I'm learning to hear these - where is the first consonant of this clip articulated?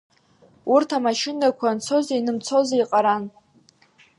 tongue tip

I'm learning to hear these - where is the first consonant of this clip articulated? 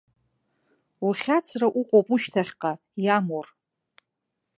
uvula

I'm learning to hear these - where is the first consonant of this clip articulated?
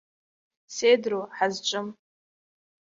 tongue tip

